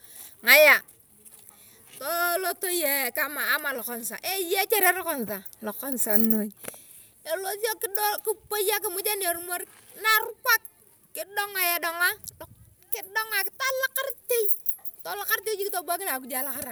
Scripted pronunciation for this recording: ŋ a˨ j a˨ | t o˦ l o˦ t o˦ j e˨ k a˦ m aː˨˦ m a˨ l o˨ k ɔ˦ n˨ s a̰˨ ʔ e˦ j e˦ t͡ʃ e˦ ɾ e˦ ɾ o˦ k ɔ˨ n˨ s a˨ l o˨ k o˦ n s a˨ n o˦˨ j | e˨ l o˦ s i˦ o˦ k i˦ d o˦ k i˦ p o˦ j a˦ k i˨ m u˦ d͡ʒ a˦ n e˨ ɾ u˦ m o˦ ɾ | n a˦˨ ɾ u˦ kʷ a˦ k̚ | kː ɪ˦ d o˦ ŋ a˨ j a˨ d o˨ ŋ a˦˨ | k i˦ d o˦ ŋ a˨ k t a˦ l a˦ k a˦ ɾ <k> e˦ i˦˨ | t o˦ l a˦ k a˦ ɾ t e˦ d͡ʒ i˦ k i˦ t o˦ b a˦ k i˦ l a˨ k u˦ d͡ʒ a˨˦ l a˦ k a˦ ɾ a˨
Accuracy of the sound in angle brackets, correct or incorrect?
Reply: incorrect